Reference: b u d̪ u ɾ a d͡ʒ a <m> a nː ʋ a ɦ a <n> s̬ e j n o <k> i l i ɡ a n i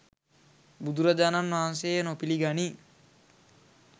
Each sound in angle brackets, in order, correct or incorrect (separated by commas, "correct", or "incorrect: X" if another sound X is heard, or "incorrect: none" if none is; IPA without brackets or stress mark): incorrect: n, correct, incorrect: p